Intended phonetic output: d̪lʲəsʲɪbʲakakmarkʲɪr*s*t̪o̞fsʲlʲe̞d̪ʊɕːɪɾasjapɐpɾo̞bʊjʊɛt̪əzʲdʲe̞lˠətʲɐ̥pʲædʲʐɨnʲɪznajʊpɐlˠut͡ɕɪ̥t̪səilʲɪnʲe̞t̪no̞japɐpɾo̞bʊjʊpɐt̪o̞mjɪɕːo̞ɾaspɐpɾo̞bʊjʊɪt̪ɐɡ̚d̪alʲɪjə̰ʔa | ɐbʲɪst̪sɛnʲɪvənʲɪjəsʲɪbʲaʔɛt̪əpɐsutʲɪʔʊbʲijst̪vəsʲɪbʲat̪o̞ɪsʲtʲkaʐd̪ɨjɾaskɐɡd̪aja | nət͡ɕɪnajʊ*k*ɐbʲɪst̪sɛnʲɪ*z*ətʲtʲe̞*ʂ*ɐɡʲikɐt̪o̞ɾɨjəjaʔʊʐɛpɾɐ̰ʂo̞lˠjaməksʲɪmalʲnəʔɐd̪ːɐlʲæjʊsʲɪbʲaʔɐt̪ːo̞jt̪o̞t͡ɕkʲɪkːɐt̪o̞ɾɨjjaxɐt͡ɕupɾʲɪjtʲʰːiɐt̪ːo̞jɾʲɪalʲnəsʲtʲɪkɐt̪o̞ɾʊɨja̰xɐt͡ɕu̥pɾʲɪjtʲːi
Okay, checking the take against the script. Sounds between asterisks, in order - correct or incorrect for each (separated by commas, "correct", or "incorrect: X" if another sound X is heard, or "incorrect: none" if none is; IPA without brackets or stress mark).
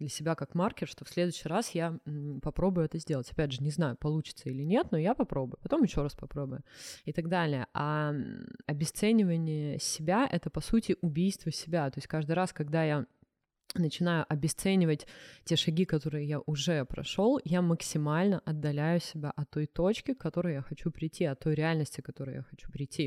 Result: incorrect: ʂ, incorrect: ʔ, incorrect: v, correct